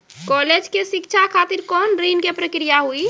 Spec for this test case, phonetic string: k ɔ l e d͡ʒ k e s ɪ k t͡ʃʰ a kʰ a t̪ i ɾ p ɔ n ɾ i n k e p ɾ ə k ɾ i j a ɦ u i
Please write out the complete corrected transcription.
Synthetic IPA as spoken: k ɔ l e d͡ʒ k e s i k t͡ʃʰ a kʰ a t̪ i ɾ k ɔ n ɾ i n k e p ɾ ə k ɾ i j a ɦ u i